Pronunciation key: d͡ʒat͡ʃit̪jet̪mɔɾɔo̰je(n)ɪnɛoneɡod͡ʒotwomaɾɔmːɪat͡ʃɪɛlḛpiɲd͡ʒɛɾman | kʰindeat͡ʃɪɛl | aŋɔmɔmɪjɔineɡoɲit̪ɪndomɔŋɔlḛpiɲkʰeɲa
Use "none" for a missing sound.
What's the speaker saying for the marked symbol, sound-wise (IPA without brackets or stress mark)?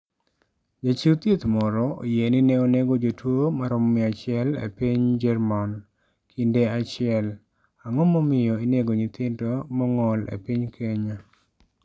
n